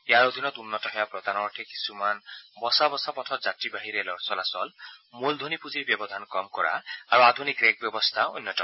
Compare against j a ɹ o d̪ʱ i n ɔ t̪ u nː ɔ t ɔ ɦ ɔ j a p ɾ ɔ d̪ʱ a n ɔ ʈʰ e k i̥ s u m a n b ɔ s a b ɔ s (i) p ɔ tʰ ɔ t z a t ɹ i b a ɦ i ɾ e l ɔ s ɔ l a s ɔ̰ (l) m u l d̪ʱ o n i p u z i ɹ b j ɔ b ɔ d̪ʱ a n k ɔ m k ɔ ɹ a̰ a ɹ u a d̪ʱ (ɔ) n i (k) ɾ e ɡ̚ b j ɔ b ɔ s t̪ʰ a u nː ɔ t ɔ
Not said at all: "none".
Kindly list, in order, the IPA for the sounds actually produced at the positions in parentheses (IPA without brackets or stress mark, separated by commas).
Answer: a, l, u, k